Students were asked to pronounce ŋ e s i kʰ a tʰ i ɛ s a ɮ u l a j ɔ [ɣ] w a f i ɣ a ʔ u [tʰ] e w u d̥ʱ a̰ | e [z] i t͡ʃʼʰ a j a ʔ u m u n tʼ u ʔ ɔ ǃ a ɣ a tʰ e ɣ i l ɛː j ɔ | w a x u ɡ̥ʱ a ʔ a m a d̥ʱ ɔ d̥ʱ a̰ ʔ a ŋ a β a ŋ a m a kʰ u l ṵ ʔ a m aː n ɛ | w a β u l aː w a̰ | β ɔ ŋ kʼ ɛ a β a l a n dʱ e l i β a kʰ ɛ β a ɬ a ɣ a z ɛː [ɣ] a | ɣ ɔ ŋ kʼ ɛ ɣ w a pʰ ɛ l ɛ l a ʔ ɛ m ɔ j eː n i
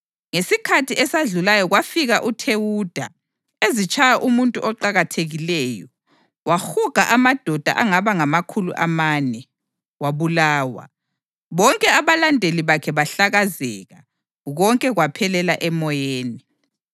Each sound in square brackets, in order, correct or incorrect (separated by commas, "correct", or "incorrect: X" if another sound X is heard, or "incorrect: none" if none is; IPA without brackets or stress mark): correct, correct, correct, correct